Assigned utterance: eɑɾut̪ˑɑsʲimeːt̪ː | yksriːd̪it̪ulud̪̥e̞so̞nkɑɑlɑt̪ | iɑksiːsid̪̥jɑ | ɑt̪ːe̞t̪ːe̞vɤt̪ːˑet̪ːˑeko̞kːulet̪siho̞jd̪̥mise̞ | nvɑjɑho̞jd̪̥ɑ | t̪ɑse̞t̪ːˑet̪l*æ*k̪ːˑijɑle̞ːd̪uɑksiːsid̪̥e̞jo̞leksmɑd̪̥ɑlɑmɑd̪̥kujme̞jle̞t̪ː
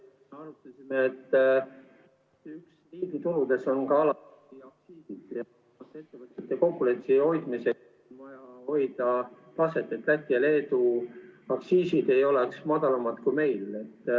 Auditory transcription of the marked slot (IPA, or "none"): æ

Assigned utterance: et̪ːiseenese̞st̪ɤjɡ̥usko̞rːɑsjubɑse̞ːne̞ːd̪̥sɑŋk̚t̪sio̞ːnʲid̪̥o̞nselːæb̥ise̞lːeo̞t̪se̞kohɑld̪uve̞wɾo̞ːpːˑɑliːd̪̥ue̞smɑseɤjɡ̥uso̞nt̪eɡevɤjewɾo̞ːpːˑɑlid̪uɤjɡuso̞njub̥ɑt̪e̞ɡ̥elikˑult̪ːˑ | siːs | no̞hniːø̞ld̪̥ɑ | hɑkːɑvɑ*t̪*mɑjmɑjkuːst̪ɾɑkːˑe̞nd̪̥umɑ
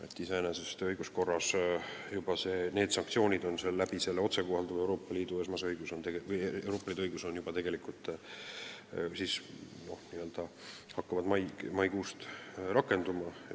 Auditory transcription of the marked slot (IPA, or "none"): d̪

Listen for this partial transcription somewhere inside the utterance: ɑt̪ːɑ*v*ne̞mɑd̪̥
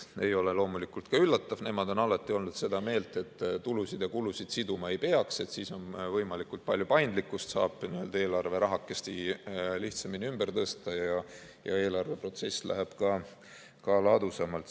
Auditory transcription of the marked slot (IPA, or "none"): v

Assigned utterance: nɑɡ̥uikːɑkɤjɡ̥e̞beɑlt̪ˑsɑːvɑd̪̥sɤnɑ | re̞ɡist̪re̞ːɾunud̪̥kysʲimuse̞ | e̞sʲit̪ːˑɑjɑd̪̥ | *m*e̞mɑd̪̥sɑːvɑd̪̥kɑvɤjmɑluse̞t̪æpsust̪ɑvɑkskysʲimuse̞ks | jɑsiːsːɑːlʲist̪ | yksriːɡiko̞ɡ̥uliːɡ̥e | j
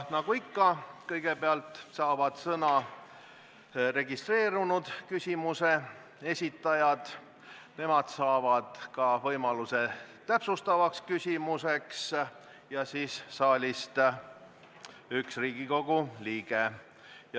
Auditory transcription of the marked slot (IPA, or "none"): n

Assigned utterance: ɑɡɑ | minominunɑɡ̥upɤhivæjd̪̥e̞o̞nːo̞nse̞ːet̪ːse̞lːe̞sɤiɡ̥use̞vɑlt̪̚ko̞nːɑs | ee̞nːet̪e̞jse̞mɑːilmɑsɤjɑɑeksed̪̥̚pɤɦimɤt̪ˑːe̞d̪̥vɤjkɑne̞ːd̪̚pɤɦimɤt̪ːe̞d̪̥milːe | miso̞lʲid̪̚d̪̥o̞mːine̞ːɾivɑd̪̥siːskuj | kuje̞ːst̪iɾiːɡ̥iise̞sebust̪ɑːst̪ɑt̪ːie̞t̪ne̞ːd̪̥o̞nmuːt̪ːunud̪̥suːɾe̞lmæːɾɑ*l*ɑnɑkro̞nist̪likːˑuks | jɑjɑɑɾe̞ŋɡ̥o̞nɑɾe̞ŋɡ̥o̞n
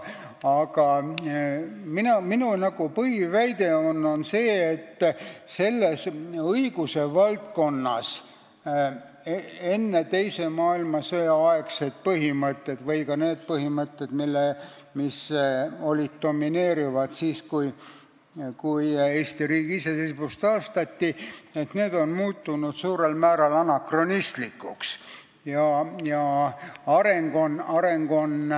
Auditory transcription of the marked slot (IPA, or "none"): l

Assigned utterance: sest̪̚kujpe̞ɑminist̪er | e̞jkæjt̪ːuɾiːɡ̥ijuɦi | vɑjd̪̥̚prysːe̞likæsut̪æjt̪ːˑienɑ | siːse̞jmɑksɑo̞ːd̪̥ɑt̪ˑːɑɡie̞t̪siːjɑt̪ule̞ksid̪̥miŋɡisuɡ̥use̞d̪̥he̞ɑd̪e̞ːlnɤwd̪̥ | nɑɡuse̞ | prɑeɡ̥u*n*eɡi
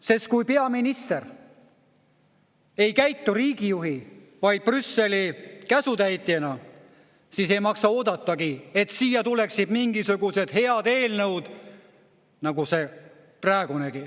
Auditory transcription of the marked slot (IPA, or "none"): n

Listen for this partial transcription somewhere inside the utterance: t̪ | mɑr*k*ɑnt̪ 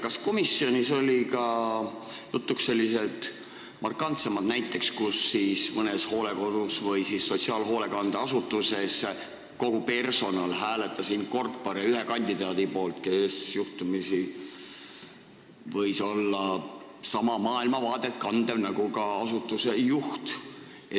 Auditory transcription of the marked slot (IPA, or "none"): k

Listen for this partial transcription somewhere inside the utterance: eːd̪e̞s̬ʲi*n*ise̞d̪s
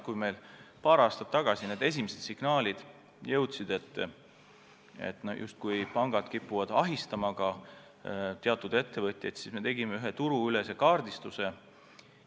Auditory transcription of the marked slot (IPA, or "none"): m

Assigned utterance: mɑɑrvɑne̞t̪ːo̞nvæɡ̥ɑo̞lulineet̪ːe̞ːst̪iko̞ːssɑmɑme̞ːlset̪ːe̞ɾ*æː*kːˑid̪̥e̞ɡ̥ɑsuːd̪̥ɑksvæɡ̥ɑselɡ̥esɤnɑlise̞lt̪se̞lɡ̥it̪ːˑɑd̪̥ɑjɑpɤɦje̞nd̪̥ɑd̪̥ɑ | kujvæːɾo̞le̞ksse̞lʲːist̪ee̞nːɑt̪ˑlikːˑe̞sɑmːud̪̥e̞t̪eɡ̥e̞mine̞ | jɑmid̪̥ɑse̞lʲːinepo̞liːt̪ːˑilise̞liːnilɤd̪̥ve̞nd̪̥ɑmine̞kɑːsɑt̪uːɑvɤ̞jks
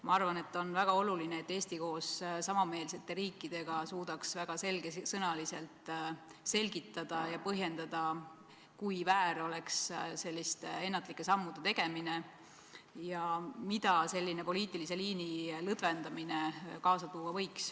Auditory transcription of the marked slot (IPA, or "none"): iː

